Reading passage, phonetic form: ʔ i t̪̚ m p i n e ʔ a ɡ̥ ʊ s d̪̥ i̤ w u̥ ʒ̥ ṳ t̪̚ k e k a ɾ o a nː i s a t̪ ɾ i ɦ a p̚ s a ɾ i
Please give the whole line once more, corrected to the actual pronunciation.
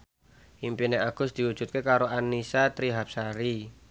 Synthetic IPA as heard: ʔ i m p i n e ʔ a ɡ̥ ʊ s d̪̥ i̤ w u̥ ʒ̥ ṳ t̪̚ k e k a ɾ o a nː i s a t̪ ɾ i ɦ a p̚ s a ɾ i